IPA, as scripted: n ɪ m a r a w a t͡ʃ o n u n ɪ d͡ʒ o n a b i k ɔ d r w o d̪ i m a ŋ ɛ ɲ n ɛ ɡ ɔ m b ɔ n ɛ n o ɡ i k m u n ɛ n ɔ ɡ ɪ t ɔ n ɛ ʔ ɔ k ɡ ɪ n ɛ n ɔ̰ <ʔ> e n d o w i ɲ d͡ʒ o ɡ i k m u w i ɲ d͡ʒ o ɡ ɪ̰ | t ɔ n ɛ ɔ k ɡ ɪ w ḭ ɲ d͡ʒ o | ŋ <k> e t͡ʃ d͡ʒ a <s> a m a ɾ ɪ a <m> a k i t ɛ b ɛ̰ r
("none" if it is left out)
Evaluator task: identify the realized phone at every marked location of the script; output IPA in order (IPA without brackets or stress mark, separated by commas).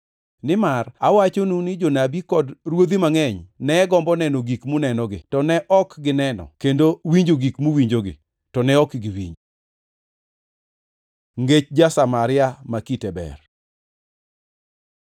k, ɡ, s, m